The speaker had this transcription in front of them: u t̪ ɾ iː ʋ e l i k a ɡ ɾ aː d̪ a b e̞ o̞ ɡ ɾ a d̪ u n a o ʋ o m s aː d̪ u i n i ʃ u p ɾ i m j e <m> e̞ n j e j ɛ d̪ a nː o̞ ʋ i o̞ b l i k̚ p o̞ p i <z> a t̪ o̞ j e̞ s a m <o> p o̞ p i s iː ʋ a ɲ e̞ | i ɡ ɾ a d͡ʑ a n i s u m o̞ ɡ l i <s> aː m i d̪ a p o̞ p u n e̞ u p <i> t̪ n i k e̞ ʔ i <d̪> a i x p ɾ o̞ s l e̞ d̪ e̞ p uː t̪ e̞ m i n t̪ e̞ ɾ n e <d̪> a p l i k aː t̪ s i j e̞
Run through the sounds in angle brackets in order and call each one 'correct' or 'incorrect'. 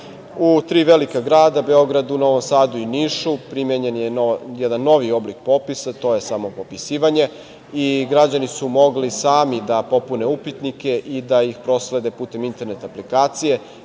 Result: incorrect: ɲ, incorrect: s, correct, correct, correct, correct, incorrect: t̪

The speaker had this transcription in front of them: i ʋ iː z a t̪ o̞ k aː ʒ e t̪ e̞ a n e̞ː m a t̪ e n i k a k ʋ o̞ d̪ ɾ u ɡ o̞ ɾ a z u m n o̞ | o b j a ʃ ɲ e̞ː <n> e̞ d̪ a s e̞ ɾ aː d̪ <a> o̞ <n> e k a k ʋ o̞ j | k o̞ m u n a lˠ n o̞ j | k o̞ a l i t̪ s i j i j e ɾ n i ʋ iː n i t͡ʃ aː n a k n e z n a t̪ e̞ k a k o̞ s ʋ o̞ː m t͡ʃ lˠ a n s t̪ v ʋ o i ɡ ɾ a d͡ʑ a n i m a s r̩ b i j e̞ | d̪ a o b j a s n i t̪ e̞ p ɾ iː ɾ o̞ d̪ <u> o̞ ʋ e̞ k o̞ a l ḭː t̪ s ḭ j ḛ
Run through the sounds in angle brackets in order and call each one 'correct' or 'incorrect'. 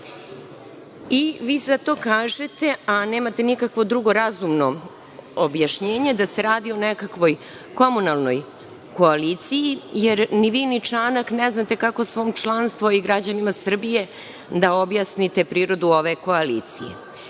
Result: incorrect: ɲ, incorrect: i, correct, correct

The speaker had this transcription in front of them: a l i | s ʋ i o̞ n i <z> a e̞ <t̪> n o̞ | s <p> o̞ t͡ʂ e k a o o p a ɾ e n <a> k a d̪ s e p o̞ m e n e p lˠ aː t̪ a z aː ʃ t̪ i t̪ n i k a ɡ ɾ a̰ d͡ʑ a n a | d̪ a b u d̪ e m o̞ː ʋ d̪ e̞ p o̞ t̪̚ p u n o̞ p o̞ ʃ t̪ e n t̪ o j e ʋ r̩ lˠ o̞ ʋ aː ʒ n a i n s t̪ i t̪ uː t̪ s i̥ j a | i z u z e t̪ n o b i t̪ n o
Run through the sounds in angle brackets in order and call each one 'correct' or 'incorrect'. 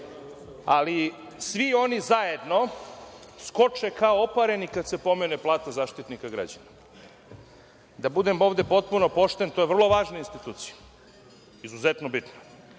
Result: correct, incorrect: d̪, incorrect: k, incorrect: i

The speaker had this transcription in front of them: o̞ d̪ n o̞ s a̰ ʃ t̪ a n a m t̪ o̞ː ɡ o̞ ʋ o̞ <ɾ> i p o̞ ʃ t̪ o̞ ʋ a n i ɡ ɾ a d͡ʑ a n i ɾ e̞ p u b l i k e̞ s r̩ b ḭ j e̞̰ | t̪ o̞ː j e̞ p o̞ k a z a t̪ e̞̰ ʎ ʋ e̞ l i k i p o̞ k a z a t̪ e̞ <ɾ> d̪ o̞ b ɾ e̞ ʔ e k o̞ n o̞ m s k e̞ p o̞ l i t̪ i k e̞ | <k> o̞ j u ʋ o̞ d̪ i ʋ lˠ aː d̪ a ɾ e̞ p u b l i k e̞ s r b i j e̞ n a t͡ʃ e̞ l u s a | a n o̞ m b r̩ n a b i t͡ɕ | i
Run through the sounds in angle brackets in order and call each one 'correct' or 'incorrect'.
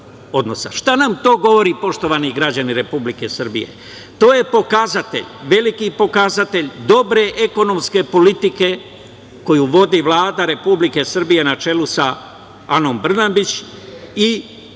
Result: correct, incorrect: ʎ, correct

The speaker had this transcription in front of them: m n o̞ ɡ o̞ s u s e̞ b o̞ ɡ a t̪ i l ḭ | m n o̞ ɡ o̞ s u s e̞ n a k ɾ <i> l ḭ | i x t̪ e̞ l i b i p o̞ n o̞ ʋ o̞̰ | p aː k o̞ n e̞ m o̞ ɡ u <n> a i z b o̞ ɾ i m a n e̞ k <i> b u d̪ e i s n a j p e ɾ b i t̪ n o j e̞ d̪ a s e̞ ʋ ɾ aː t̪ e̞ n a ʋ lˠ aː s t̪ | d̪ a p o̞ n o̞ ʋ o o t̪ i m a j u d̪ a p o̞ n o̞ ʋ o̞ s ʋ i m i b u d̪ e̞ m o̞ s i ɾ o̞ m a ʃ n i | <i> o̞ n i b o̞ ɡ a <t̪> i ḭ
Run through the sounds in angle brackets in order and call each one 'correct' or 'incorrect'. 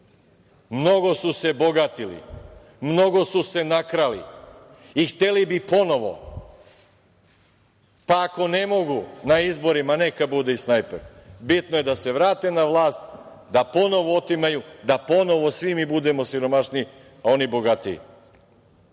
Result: incorrect: a, correct, incorrect: a, incorrect: a, correct

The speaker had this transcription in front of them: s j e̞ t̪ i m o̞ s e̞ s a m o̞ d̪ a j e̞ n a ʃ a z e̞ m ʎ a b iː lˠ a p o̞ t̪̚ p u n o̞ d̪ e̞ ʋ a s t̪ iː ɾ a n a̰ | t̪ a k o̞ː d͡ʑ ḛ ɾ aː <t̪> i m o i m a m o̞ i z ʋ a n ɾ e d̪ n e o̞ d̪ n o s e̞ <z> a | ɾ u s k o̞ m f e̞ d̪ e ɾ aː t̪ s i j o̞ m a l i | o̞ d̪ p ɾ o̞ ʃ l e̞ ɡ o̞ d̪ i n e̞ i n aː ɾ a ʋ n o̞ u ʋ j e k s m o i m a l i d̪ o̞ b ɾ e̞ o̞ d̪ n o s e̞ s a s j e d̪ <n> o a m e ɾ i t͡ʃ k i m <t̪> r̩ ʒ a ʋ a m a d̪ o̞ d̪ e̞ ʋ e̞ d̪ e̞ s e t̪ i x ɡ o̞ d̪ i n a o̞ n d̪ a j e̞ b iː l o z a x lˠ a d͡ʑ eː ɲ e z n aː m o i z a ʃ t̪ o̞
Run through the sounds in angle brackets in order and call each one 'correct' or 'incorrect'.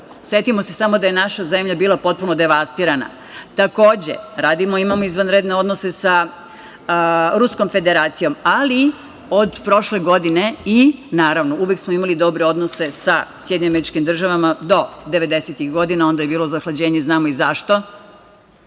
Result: incorrect: d̪, incorrect: s, incorrect: ɲ, incorrect: d̪

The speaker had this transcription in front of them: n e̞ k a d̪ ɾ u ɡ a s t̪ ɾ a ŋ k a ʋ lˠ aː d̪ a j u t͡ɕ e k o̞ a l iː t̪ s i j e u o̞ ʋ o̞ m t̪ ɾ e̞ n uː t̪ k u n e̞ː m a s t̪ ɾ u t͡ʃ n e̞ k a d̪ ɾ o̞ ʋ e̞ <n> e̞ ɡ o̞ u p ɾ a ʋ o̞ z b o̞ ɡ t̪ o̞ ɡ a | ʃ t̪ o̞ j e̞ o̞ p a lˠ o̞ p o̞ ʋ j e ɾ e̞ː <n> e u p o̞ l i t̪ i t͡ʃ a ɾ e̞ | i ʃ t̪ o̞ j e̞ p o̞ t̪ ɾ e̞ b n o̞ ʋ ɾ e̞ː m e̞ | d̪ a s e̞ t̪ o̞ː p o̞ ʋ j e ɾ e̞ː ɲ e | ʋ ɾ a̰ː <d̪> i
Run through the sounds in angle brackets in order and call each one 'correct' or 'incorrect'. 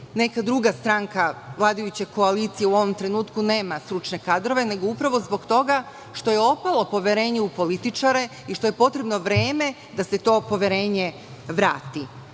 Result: correct, incorrect: ɲ, incorrect: t̪

